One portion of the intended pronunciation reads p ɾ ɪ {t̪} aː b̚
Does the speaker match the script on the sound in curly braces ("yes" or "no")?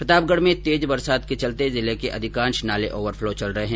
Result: yes